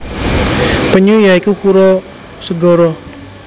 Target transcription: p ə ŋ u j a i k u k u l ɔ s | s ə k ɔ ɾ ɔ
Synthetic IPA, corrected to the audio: p ə ɲ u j a i k u k u ɾ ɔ | s ə ɡ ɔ ɾ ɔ